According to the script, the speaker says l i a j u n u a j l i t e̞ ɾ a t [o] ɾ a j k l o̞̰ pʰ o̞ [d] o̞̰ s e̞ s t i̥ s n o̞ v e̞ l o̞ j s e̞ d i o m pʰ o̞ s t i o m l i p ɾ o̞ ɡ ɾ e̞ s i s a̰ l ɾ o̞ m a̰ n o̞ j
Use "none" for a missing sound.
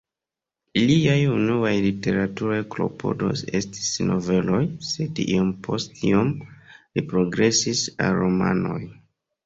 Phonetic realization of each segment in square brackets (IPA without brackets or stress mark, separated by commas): u, d